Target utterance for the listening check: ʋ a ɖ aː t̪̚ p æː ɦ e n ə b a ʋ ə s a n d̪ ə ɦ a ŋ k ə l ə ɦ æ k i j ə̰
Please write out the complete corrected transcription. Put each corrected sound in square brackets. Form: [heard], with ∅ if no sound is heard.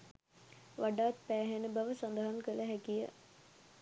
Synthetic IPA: ʋ a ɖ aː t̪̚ p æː ɦ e n ə b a ʋ ə s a n d̪ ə ɦ a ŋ k ə l ə ɦ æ k i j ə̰